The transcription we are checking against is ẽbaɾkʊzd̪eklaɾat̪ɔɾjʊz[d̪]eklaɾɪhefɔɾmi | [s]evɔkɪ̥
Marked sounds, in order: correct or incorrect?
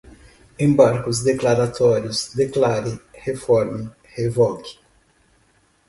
correct, incorrect: h

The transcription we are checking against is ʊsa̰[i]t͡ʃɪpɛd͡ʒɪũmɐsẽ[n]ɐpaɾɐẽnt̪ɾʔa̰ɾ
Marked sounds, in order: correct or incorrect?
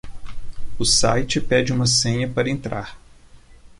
incorrect: j, incorrect: ɲ

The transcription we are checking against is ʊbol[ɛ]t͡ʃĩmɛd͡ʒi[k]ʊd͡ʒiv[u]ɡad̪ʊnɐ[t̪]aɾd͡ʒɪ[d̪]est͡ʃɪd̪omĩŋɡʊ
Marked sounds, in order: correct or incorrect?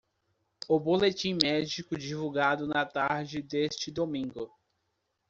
incorrect: e, correct, correct, correct, correct

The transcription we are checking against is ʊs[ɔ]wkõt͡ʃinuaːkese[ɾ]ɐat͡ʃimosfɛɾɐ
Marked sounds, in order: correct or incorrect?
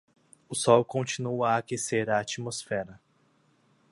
correct, correct

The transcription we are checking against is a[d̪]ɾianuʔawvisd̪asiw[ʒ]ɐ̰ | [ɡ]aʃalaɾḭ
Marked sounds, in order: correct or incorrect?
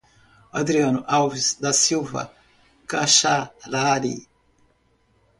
correct, incorrect: v, incorrect: k

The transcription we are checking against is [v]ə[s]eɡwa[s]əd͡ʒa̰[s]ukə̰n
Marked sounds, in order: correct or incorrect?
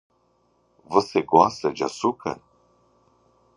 correct, correct, correct, correct

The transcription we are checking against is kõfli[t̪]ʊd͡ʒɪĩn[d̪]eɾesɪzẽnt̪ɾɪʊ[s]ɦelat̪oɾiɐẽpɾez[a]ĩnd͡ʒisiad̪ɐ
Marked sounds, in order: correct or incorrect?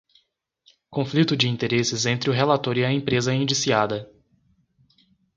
correct, incorrect: t̪, incorrect: none, incorrect: ɐ

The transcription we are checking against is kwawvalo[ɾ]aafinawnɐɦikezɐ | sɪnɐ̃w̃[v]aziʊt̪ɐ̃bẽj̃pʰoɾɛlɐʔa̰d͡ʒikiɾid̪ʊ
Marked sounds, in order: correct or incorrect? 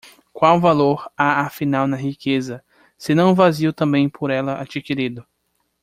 correct, correct

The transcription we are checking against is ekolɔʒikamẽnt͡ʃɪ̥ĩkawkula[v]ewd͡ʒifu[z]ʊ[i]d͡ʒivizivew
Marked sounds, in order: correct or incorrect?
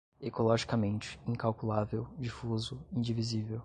correct, correct, incorrect: ĩ

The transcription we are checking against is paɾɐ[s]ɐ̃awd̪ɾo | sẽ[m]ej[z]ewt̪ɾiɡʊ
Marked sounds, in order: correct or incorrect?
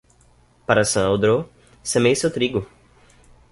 correct, correct, incorrect: s

